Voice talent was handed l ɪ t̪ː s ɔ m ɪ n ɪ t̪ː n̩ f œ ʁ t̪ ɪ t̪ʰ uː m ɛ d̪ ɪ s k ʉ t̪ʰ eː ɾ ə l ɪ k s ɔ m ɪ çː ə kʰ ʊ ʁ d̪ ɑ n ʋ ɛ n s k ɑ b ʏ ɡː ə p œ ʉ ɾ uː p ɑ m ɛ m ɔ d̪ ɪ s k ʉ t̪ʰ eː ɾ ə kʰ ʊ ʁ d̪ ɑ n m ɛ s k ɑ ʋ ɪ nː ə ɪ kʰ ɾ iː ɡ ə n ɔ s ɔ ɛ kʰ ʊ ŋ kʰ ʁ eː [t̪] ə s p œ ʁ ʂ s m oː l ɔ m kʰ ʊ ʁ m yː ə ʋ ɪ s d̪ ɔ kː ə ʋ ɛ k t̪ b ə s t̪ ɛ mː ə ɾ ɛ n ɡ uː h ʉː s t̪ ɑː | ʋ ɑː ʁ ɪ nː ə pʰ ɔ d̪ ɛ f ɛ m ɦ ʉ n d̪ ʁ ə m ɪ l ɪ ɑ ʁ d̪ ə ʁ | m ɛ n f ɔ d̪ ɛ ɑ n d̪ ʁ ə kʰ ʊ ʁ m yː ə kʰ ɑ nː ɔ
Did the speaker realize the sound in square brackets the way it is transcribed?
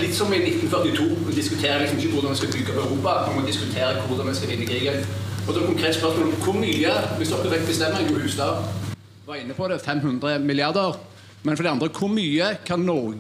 yes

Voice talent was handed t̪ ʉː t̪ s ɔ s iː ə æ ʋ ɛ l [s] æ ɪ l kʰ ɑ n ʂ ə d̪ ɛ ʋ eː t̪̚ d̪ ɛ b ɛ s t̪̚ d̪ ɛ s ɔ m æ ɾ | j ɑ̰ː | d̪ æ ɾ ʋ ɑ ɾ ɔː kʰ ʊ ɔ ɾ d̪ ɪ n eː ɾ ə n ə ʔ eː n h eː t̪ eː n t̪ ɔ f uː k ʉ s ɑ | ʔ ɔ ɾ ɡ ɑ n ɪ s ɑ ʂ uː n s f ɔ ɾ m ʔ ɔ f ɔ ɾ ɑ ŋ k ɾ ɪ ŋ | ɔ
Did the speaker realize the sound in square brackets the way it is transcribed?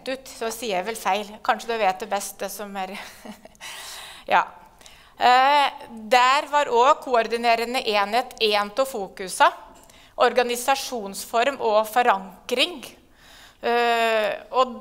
no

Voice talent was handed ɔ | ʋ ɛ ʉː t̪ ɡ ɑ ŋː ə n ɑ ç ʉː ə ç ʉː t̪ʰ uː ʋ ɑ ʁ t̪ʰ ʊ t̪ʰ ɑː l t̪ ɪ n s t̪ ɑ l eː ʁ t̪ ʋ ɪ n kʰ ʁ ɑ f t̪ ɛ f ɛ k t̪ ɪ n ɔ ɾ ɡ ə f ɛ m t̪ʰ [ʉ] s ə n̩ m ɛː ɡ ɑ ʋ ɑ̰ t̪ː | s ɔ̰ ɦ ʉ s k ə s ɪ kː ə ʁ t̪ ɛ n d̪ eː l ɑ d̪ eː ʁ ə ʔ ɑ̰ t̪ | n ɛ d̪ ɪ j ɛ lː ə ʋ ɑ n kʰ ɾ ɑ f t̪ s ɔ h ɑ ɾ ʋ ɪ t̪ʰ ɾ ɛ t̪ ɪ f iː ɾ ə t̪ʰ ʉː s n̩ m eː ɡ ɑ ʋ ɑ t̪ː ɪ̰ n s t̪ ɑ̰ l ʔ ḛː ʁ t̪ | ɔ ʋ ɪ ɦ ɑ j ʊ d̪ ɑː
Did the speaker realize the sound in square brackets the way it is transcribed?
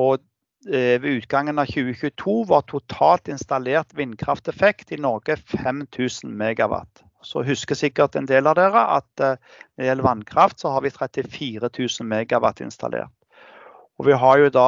no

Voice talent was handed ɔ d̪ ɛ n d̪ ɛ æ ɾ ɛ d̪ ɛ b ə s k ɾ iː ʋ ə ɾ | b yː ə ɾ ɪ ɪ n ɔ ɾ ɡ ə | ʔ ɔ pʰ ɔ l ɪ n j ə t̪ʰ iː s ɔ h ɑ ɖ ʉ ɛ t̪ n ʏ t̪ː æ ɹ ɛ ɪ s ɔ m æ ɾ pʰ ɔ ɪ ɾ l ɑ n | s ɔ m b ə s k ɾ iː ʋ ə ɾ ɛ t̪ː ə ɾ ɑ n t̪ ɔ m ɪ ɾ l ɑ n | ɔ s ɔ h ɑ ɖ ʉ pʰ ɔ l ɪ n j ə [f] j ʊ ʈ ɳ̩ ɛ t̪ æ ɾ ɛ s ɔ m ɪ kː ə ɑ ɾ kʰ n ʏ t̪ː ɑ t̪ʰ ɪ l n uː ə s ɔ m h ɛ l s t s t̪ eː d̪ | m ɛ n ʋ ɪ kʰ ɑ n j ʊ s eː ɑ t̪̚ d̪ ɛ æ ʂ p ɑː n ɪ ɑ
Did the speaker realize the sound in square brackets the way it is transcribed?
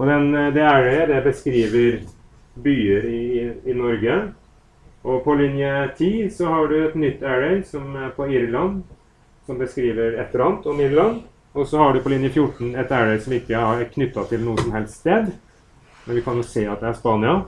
yes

